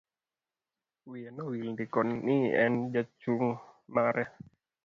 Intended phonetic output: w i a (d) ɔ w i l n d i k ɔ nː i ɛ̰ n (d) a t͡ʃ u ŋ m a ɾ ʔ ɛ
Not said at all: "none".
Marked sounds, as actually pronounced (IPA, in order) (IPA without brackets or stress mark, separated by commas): n, d͡ʒ